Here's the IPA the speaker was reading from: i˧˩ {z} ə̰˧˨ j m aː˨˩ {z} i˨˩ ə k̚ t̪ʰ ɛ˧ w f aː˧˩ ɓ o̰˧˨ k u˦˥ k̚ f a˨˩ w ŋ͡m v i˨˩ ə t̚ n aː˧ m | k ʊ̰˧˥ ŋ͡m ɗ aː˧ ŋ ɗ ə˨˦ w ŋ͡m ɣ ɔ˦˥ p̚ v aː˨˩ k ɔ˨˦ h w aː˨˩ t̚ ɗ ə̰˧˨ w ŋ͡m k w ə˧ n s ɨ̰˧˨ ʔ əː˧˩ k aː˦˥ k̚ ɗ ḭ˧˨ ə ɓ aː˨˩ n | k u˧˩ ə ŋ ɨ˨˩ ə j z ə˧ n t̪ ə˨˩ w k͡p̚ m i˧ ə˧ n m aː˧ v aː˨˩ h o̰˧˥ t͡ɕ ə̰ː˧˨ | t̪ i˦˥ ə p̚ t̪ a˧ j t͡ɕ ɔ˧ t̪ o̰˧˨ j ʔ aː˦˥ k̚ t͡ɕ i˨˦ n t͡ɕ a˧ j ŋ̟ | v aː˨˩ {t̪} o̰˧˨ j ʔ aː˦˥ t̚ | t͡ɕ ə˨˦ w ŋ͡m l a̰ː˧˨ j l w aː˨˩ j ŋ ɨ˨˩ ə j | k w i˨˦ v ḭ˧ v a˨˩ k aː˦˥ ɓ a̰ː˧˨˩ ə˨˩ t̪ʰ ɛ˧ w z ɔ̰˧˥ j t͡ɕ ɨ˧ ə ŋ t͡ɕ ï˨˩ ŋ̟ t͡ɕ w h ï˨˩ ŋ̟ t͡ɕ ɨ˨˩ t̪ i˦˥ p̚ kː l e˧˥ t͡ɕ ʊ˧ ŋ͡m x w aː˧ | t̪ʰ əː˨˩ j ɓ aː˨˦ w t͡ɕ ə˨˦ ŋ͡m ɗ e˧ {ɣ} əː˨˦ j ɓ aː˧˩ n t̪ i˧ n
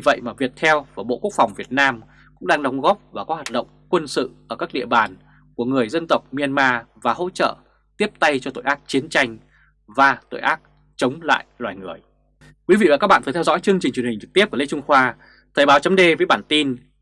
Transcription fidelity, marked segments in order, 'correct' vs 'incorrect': incorrect: v, incorrect: v, correct, incorrect: v

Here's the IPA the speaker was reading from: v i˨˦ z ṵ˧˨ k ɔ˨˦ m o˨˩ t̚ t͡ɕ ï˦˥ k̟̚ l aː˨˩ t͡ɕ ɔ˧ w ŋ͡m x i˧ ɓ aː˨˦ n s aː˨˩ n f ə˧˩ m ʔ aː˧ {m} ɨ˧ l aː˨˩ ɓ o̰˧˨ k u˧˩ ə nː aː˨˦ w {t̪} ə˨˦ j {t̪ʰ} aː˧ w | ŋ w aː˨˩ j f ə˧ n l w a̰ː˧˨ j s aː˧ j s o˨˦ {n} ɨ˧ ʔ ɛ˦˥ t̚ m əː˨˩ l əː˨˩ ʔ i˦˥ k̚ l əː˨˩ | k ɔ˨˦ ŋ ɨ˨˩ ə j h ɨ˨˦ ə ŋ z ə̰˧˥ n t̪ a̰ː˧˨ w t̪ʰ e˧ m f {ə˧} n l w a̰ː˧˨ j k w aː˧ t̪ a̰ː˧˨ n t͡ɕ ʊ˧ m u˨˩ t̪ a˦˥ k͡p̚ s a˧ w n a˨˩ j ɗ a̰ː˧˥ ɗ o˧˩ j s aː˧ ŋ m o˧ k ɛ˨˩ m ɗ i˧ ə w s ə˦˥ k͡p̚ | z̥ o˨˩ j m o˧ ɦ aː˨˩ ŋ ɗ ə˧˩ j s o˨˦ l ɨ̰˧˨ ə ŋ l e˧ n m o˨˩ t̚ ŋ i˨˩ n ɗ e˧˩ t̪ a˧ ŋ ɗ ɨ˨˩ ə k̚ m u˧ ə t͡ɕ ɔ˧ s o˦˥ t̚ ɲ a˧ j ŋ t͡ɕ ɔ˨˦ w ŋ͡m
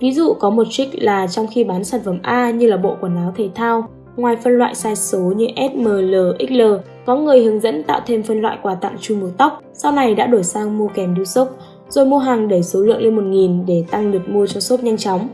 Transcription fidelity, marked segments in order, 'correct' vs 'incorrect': incorrect: ɲ, incorrect: t̪ʰ, correct, incorrect: ɲ, correct

